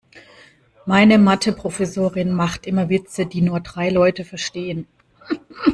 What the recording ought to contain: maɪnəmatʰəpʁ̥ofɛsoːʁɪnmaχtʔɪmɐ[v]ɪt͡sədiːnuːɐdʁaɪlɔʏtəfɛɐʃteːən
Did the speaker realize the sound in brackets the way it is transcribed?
yes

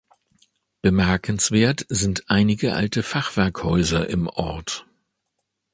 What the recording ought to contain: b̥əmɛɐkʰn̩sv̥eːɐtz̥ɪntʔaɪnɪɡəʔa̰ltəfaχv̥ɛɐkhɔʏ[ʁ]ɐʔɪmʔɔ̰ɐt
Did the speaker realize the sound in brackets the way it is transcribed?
no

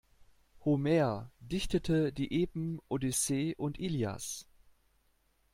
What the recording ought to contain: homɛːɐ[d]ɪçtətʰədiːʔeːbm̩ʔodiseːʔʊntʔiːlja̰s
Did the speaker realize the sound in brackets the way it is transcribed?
yes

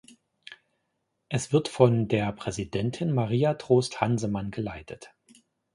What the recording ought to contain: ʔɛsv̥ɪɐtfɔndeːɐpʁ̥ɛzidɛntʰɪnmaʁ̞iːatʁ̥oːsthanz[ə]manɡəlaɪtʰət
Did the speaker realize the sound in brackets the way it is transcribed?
yes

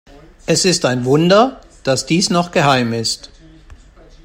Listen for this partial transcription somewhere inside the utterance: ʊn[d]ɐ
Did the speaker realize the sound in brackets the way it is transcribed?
yes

